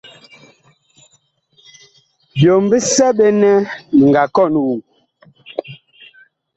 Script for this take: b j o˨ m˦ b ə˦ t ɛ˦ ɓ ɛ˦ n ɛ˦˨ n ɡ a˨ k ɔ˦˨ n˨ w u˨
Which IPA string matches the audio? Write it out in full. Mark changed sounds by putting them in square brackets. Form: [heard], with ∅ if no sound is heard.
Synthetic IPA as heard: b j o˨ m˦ b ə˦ [s] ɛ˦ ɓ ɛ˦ n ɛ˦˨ [ŋ] ɡ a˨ k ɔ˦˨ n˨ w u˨